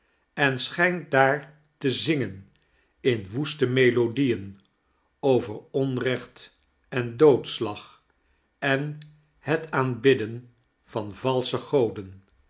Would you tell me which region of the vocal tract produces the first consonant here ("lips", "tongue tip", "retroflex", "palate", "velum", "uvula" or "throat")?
tongue tip